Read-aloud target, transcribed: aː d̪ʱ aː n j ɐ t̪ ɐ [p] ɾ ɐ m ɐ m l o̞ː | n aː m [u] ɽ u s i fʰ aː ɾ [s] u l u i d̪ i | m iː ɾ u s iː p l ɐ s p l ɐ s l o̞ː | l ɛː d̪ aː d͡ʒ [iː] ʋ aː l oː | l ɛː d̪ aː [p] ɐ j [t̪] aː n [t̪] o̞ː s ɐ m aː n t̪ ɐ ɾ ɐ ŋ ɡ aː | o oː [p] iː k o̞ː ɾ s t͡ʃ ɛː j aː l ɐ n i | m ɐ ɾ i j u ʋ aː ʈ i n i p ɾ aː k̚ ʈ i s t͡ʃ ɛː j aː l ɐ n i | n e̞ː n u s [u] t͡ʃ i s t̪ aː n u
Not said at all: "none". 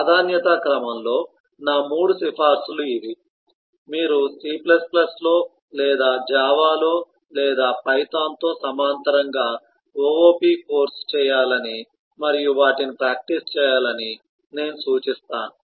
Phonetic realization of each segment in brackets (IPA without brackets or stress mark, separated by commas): k, uː, s, aː, p, t̪, t̪, p, uː